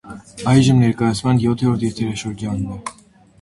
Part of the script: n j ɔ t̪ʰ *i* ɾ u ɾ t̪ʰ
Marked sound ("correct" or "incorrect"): incorrect